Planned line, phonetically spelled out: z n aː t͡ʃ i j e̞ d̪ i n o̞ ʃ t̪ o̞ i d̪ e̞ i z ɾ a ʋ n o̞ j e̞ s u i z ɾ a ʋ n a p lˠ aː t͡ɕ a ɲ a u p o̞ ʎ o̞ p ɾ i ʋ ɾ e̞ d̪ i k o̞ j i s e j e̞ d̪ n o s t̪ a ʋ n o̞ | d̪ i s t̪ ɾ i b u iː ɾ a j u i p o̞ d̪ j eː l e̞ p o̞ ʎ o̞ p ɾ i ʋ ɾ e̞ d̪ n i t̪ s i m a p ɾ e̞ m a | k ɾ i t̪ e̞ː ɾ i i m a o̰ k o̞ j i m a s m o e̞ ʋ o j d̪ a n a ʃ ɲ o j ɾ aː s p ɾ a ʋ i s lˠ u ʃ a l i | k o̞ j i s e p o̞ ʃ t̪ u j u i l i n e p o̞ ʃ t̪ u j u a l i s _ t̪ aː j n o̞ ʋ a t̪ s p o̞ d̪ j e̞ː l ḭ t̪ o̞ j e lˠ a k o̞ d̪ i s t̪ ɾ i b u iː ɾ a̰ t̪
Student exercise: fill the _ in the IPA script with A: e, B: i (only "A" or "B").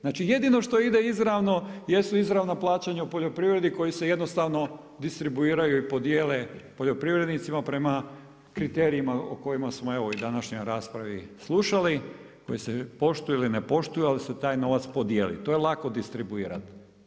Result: A